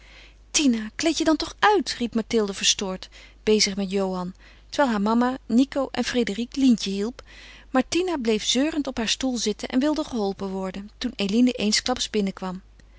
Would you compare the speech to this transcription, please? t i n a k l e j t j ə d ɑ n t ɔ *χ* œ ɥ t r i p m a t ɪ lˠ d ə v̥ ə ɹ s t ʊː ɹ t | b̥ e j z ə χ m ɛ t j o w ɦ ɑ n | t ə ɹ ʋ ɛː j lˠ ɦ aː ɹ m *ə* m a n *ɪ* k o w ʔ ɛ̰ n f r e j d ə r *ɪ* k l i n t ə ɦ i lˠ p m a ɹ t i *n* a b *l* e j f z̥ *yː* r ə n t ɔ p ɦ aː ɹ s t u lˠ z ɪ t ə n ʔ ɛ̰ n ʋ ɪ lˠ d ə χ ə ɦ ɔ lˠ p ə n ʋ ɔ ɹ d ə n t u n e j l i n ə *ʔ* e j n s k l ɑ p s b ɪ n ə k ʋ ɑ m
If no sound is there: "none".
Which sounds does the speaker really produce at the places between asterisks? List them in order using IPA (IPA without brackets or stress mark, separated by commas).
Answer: χ, ɑ, i, i, n, l, øː, ʔ